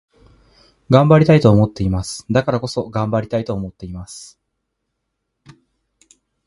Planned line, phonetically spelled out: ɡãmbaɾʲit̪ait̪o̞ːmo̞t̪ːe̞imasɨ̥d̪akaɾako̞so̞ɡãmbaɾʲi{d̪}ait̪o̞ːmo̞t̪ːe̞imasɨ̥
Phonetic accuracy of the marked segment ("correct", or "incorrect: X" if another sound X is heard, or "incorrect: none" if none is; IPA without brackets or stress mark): incorrect: t̪